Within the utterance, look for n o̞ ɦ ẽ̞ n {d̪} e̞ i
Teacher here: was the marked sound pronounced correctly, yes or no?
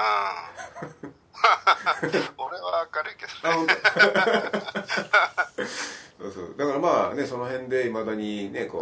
yes